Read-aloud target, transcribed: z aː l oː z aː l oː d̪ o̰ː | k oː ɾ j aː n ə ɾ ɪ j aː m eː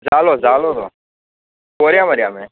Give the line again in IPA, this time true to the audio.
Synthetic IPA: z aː l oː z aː l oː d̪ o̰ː | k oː ɾ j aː m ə ɾ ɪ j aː m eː